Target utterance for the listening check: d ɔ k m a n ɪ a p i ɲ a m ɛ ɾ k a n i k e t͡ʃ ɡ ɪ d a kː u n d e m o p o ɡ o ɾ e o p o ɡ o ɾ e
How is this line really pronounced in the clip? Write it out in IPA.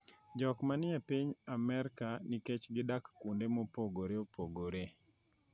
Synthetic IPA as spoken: d͡ʒ ɔ k m a n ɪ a p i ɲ a m ɛ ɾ k a n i k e t͡ʃ ɡ ɪ d a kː u n d e m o p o ɡ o ɾ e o p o ɡ o ɾ e